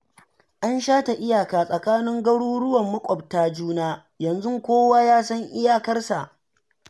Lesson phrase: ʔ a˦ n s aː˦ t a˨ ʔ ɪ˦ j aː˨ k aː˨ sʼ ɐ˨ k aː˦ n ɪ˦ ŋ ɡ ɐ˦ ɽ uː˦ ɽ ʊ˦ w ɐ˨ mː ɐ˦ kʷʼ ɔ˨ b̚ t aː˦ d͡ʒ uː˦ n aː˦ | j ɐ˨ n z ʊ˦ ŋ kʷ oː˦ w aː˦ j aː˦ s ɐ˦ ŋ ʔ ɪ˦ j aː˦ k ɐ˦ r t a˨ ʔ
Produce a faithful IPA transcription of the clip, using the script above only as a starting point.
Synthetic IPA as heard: ʔ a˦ n ʃ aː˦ t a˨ ʔ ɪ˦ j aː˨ k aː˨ sʼ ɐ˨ k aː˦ n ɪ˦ ŋ ɡ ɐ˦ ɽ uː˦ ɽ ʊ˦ w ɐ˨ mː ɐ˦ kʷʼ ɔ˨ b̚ t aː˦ d͡ʒ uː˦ n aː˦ | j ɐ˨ n z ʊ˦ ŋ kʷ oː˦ w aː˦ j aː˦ s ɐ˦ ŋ ʔ ɪ˦ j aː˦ k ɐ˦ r s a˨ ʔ